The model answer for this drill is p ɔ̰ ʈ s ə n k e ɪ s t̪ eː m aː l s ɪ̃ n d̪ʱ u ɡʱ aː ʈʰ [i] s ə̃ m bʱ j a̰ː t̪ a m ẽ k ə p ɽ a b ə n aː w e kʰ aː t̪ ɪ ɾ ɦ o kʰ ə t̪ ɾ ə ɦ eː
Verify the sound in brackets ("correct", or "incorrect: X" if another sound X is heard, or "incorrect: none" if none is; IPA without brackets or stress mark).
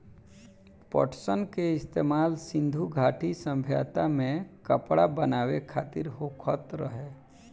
correct